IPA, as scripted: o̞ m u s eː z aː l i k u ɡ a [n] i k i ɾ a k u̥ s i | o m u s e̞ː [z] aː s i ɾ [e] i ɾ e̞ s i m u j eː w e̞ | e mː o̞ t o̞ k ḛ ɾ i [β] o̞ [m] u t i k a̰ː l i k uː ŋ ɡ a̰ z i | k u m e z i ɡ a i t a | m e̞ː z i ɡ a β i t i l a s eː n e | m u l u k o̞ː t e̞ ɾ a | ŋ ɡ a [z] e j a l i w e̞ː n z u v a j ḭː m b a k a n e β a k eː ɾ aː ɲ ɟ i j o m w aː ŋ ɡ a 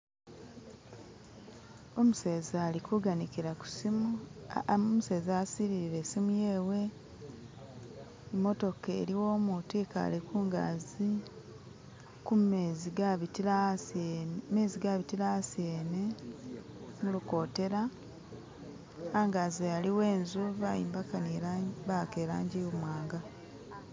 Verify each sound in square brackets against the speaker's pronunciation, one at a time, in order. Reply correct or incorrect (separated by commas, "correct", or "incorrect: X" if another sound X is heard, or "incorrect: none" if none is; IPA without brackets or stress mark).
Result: correct, correct, incorrect: i, incorrect: w, correct, correct